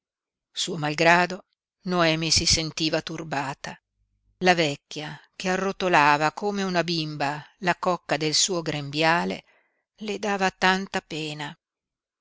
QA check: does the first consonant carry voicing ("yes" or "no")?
no